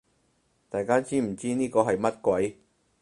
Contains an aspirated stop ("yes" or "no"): no